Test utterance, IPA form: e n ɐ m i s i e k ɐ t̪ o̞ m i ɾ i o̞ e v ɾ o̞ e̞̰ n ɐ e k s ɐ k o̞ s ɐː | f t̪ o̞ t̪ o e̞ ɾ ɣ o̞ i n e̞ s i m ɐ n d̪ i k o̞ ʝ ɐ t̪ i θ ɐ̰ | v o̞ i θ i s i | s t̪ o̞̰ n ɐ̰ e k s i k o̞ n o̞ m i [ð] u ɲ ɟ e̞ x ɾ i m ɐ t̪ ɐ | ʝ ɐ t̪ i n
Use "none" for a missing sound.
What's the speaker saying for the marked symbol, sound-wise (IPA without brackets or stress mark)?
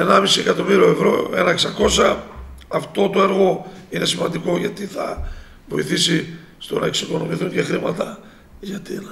θ